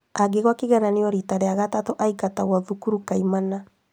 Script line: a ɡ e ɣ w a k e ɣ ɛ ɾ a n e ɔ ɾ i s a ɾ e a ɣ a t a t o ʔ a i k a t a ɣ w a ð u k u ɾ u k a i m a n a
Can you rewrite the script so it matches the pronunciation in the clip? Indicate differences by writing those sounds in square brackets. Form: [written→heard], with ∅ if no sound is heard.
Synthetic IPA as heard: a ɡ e ɣ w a k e ɣ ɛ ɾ a n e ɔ ɾ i [s→t] a ɾ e a ɣ a t a t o ʔ a i k a t a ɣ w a ð u k u ɾ u k a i m a n a